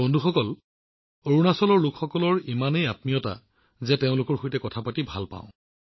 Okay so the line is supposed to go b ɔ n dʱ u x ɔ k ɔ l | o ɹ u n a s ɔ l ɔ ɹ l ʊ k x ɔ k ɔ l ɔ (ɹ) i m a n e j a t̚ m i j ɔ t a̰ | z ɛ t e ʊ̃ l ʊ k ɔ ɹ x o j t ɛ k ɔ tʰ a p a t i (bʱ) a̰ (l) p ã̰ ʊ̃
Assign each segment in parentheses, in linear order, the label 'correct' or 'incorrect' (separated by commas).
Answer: correct, correct, correct